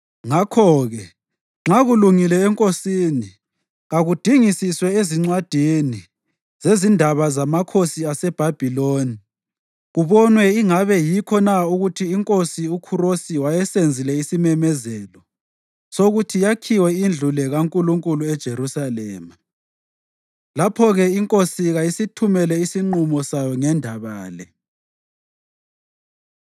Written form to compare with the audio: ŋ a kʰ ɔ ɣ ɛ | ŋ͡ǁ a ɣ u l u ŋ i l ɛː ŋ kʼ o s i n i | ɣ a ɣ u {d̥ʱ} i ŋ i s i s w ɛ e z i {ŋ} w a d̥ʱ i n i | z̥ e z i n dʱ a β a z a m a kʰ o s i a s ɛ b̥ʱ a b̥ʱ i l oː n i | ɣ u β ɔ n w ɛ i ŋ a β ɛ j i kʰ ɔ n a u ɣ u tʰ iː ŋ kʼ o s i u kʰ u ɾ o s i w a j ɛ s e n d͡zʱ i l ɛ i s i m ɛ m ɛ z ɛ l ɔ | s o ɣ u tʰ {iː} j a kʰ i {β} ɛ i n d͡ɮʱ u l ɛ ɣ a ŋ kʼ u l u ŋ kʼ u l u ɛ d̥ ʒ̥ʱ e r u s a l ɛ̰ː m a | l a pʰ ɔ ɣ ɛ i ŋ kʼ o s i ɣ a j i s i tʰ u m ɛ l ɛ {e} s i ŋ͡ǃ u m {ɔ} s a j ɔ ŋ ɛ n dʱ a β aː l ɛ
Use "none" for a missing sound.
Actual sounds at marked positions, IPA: d̥ʱ, ŋ͡ǀ, i, w, i, ɔ

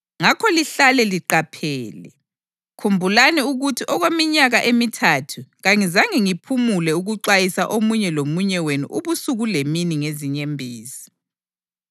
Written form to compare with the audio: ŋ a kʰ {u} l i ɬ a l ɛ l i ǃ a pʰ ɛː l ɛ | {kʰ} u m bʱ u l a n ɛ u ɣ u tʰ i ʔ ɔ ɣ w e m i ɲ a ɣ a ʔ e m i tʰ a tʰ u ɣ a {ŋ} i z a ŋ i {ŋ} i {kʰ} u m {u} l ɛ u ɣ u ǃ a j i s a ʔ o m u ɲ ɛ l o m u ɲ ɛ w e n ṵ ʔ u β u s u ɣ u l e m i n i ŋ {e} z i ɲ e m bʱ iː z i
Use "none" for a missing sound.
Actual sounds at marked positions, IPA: ɔ, kʰ, ŋ, ŋ, pʰ, u, e

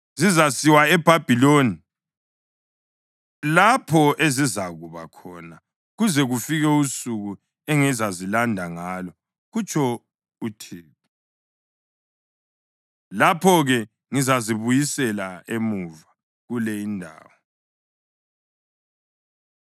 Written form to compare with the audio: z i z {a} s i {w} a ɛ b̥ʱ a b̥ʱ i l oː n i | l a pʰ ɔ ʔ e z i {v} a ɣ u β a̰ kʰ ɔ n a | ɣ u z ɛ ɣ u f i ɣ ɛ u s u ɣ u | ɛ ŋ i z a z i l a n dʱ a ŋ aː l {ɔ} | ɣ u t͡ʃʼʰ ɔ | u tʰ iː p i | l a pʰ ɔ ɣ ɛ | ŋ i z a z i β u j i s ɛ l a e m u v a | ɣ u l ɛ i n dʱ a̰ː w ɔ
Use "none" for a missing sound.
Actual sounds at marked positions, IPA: a, w, z, ɔ

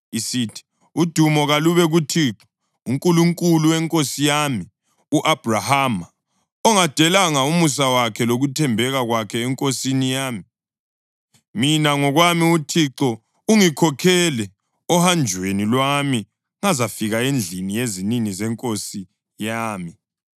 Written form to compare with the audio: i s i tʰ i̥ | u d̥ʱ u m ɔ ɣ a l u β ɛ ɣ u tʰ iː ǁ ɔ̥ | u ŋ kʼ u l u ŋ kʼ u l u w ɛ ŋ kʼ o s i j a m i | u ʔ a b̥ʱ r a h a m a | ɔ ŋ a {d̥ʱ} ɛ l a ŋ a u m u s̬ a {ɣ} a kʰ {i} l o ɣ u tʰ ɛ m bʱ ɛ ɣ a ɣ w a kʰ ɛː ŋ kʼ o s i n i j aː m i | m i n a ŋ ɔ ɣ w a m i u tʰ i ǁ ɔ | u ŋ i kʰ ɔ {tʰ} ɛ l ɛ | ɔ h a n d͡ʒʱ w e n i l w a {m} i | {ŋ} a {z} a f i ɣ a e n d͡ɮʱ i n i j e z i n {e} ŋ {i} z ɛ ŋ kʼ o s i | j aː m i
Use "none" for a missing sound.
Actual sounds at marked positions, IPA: d̥ʱ, w, ɛ, kʰ, m, ŋ, z, i, i

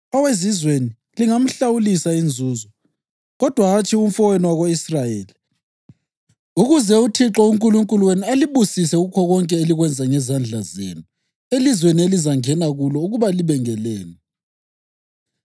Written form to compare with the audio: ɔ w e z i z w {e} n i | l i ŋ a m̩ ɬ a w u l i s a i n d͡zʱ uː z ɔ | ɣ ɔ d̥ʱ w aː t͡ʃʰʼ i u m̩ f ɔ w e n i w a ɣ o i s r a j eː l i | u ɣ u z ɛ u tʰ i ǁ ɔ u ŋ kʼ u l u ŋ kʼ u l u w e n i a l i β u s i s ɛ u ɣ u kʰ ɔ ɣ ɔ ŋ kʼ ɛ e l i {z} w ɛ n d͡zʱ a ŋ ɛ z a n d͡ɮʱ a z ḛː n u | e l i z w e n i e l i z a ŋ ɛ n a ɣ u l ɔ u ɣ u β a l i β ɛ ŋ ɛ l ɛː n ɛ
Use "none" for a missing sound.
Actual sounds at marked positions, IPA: e, ɣ

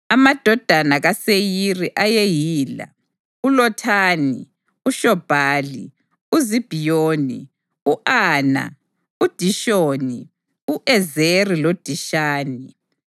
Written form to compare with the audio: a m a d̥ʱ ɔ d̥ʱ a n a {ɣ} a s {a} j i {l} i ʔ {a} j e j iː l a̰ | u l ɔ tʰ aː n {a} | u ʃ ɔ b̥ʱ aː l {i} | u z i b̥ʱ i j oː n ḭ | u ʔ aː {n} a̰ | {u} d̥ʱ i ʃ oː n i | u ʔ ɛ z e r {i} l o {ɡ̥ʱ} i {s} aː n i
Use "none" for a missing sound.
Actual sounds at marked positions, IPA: ɣ, e, r, a, i, i, n, u, i, d̥ʱ, ʃ

